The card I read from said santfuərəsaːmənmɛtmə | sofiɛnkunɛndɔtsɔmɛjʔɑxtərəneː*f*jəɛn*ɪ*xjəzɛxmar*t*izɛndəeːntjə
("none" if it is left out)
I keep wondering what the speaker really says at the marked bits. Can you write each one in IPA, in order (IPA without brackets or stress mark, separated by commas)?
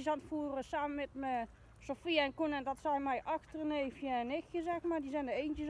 f, ɪ, d